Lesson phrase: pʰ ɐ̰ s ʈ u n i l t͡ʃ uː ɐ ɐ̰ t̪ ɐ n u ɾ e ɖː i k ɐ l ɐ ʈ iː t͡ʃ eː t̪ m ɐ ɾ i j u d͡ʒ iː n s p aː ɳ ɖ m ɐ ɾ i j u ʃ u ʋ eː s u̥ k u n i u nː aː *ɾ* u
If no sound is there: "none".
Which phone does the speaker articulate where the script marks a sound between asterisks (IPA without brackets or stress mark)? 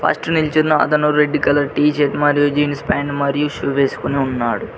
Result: ɽ